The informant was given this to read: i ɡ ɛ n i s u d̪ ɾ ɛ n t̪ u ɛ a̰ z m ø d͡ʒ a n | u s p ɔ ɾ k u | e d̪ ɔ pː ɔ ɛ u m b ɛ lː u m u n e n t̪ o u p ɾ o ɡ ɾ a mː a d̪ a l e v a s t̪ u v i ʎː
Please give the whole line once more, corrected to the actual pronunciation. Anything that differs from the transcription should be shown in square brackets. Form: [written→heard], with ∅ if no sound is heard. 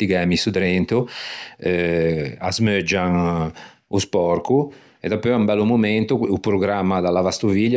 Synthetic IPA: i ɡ ɛ [n→m] i s u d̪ ɾ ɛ n t̪ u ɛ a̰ z m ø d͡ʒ a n | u s p ɔ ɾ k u | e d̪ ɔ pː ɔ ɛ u m b ɛ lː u m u [n→m] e n t̪ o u p ɾ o ɡ ɾ a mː a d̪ a l [e→a] v a s t̪ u v i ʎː